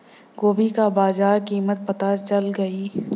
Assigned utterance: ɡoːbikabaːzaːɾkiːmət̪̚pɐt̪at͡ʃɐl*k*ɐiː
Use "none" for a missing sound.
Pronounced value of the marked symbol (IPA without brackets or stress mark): ɡ